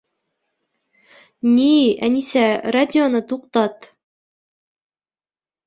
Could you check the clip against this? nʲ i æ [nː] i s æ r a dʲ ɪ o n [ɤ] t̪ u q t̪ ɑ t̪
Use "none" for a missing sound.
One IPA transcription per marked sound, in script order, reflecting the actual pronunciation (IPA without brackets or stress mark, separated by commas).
n, ɤ